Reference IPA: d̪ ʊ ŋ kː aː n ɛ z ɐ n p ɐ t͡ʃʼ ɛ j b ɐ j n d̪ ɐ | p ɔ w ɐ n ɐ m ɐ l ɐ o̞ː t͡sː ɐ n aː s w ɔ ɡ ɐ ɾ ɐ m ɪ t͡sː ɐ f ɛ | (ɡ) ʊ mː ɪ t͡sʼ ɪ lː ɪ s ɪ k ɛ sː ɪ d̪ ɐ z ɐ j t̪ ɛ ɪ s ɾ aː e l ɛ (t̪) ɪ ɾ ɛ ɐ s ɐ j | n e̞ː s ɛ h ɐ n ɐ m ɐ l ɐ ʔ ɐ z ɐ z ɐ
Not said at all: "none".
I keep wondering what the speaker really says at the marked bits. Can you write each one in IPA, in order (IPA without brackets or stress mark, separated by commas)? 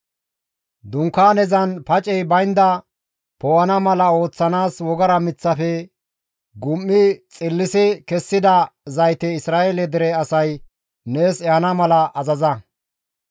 ɡ, d̪